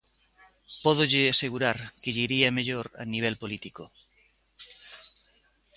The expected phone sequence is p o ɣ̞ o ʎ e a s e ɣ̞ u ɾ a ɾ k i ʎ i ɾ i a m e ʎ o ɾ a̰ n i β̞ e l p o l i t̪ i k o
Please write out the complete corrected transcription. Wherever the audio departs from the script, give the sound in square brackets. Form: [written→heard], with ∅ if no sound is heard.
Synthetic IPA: p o [ɣ̞→ð̞] o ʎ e a s e ɣ̞ u ɾ a ɾ k [i→e] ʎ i ɾ i a m e ʎ o ɾ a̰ n i β̞ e l p o l i t̪ i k o